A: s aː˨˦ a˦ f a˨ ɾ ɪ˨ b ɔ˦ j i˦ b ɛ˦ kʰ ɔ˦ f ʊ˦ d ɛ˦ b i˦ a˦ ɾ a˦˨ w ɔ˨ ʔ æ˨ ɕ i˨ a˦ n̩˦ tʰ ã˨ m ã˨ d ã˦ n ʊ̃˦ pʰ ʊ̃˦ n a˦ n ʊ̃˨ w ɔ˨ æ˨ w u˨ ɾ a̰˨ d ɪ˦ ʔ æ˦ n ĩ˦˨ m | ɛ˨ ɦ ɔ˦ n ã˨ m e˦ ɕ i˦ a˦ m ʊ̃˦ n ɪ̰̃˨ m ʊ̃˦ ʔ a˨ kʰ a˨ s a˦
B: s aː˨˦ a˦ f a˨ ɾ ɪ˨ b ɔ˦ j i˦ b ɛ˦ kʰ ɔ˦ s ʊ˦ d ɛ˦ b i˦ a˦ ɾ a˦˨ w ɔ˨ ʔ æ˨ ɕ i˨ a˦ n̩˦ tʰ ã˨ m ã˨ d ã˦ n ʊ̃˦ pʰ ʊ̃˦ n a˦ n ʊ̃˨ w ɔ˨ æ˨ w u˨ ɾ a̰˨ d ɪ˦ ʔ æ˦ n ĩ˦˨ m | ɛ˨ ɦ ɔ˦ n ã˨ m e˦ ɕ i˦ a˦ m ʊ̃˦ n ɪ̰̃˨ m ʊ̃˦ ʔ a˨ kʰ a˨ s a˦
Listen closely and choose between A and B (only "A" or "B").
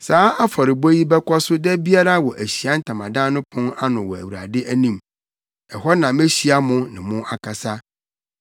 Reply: B